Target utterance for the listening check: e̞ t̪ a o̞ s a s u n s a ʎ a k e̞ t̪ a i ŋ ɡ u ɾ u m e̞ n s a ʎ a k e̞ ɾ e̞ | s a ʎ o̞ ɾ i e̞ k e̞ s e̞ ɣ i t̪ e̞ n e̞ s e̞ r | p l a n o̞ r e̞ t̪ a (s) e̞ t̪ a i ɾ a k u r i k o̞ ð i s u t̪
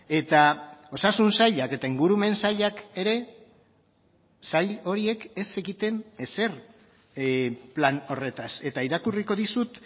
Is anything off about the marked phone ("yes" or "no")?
no